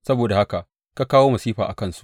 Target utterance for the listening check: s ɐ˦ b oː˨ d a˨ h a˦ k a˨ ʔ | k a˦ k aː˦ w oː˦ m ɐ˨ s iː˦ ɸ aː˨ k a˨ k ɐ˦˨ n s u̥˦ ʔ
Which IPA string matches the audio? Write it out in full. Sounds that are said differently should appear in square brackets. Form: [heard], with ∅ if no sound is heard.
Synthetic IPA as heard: s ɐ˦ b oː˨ d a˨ h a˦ k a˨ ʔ | k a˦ k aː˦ w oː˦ m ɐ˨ s iː˦ ɸ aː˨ [ʔ] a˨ k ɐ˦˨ n s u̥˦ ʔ